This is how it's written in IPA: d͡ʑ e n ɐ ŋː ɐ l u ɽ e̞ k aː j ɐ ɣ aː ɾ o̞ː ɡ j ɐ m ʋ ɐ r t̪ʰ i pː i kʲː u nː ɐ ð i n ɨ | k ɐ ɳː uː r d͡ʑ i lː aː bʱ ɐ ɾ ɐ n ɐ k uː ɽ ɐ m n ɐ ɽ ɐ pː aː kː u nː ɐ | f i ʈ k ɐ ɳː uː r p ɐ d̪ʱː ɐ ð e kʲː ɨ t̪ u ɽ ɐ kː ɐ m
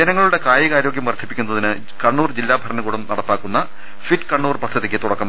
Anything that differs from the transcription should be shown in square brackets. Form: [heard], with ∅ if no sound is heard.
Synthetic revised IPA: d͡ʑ e n ɐ ŋː ɐ [ɭ] u ɽ e̞ k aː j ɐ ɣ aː ɾ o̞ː ɡ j ɐ m ʋ ɐ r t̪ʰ i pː i kʲː u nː ɐ ð i n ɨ | k ɐ ɳː uː r d͡ʑ i lː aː bʱ ɐ ɾ ɐ n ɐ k uː ɽ ɐ m n ɐ ɽ ɐ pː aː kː u nː ɐ | f i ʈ k ɐ ɳː uː r p ɐ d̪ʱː ɐ ð [i] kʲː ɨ t̪ u ɽ ɐ kː ɐ m